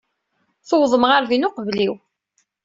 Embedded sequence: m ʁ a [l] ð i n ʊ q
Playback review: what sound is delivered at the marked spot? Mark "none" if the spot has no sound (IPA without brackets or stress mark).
ɾ